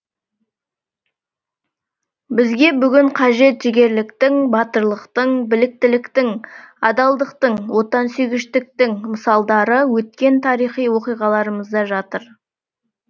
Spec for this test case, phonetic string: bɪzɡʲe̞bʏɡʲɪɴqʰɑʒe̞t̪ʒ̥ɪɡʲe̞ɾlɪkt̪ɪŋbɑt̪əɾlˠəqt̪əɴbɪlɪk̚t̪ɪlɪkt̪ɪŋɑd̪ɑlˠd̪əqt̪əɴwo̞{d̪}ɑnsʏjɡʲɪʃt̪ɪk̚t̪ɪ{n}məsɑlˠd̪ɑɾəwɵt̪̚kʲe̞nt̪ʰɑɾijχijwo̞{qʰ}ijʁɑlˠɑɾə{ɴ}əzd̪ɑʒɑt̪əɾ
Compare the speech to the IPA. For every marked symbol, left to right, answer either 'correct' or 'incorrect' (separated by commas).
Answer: incorrect, incorrect, incorrect, incorrect